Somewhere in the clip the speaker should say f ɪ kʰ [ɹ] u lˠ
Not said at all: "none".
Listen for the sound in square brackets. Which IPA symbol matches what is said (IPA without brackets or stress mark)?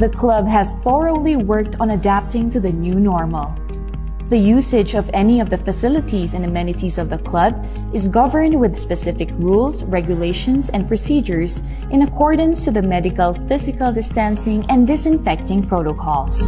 ɹ